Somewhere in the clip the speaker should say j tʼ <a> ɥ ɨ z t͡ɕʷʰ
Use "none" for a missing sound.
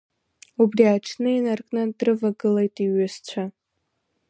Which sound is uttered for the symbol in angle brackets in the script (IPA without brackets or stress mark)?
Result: i